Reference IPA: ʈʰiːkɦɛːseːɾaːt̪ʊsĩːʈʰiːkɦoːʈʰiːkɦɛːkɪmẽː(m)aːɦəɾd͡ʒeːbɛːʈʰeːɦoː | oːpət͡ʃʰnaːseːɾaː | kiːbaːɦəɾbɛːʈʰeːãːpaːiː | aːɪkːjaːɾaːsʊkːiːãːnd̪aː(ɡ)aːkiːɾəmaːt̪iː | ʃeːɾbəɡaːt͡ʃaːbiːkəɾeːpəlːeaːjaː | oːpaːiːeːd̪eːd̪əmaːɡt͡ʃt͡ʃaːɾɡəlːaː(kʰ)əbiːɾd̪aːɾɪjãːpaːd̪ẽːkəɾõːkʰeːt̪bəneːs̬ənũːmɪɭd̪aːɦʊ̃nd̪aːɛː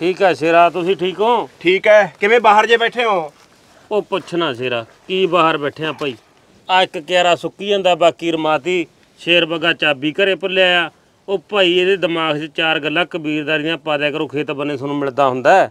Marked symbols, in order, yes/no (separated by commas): no, no, no